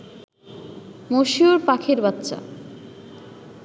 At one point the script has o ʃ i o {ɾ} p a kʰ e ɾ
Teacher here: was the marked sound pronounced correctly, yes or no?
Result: yes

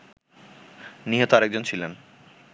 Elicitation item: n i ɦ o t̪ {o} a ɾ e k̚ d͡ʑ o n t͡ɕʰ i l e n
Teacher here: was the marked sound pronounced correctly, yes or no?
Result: yes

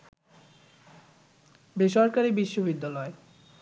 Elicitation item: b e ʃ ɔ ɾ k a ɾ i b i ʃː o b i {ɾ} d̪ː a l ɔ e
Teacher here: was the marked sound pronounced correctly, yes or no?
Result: no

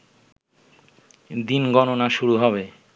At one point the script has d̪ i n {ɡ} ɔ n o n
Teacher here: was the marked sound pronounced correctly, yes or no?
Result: yes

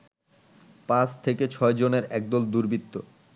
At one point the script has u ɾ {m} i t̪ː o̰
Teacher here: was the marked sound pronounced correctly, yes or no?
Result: no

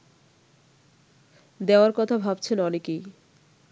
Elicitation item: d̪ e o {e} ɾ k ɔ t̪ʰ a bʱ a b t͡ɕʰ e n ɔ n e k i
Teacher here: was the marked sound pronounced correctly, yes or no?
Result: no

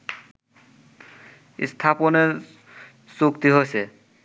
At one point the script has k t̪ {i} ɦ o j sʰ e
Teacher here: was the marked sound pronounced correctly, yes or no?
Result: yes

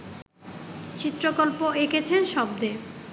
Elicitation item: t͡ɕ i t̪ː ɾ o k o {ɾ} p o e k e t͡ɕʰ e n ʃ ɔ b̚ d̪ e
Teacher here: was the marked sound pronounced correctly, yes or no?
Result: no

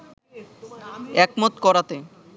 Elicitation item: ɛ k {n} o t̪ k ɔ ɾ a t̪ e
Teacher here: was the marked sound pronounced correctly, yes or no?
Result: no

